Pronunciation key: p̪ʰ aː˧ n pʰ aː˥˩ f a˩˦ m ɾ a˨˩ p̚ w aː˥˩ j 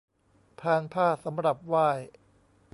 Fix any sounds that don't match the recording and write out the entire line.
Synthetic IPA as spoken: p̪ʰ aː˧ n pʰ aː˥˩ s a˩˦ m ɾ a˨˩ p̚ w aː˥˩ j